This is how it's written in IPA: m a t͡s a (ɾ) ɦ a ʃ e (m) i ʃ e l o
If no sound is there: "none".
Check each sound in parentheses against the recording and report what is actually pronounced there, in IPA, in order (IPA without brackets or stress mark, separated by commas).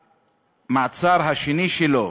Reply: ɾ, n